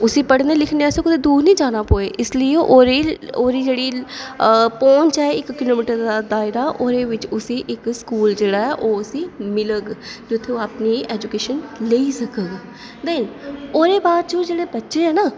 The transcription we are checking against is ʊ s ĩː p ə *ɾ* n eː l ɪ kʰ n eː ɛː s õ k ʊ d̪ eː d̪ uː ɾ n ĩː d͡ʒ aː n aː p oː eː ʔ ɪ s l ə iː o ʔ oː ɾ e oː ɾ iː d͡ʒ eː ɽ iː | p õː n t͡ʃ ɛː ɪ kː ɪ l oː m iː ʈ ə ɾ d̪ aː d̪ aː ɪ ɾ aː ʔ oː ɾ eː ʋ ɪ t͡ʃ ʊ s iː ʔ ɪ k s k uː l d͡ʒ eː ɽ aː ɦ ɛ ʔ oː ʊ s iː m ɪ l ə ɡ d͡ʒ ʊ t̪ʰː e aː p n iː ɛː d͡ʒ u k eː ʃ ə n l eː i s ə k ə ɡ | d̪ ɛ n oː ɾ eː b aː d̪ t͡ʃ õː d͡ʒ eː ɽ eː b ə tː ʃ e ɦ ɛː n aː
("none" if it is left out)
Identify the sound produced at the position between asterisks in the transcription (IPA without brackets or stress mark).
ɽ